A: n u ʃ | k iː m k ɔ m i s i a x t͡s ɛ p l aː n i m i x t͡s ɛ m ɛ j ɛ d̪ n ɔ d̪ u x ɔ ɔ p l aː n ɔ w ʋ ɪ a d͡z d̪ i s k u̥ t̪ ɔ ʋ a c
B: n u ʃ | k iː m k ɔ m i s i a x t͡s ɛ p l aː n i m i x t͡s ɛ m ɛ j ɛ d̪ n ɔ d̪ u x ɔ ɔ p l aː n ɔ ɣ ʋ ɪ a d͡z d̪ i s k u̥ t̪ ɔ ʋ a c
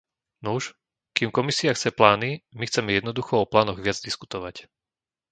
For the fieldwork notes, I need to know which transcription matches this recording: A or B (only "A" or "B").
B